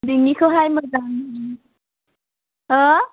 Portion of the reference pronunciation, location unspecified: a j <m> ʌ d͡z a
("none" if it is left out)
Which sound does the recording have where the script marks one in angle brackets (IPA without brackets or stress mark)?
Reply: m